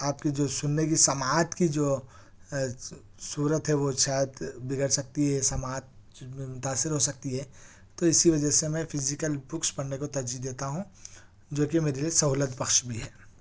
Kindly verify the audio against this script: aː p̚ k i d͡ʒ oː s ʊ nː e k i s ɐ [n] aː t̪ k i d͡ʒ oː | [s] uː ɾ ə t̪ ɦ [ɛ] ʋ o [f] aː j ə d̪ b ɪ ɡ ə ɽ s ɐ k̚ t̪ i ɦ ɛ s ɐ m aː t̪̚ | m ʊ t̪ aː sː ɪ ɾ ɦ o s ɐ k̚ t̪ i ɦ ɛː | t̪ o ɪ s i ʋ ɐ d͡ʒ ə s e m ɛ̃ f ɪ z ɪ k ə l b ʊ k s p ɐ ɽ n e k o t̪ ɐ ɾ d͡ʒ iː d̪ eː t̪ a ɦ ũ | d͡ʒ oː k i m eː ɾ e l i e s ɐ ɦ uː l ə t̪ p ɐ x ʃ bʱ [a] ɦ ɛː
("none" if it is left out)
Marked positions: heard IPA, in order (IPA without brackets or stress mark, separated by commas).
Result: m, s, ɛ, ʃ, i